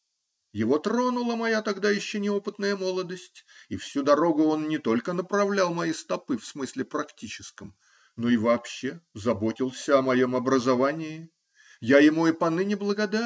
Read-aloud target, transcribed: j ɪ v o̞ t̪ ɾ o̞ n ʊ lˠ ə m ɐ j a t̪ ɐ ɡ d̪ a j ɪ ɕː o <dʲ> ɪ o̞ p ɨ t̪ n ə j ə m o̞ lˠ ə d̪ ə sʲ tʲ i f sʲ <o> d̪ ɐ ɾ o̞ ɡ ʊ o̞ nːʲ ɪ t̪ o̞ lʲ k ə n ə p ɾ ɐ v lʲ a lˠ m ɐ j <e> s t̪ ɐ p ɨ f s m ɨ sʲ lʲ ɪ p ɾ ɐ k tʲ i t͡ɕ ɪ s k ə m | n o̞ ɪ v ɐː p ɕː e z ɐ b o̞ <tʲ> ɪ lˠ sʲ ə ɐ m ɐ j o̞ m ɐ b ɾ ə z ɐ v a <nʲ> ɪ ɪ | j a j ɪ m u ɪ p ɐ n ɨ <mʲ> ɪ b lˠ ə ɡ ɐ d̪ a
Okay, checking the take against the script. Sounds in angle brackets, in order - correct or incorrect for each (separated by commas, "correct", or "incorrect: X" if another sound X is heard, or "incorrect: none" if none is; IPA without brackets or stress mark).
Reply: incorrect: nʲ, incorrect: u, incorrect: i, correct, correct, incorrect: nʲ